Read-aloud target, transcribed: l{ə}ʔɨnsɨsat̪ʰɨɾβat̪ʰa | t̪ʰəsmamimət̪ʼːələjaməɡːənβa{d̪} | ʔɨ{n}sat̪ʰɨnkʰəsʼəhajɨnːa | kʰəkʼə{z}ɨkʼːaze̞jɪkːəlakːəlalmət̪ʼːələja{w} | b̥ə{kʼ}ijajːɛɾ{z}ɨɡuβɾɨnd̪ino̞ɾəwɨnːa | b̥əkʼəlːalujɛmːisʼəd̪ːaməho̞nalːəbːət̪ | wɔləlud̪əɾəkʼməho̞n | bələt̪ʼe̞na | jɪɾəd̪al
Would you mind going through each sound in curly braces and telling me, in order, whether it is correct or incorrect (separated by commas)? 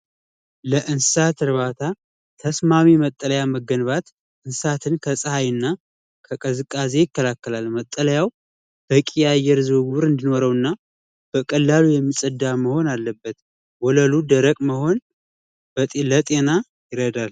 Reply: correct, incorrect, correct, correct, correct, correct, correct